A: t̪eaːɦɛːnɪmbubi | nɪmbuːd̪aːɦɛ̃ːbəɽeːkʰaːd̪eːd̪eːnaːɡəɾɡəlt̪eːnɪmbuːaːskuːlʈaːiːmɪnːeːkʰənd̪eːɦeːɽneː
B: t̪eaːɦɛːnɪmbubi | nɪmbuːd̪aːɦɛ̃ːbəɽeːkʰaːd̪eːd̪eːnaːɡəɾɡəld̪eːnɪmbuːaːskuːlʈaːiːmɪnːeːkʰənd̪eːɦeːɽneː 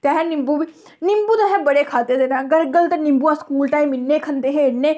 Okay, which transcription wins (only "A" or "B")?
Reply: A